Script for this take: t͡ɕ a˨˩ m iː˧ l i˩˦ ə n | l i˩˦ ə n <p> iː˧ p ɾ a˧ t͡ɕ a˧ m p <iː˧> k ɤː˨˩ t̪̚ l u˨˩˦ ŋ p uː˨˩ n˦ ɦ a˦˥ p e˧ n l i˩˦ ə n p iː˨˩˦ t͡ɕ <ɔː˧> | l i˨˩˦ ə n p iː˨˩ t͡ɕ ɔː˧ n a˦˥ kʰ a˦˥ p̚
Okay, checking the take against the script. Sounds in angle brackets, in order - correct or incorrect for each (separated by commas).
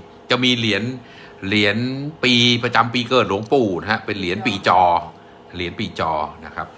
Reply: correct, correct, correct